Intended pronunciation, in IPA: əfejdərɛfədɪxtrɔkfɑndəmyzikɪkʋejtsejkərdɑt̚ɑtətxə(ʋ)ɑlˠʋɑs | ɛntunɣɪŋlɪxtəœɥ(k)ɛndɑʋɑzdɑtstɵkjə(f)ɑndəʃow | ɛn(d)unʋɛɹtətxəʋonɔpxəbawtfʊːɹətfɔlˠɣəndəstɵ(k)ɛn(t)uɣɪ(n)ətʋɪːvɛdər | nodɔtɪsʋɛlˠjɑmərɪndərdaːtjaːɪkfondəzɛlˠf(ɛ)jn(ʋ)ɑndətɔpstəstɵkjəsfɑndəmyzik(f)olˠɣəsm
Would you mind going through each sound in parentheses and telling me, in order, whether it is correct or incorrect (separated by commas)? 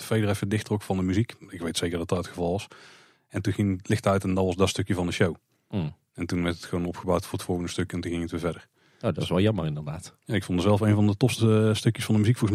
incorrect, incorrect, incorrect, incorrect, correct, correct, incorrect, incorrect, incorrect, correct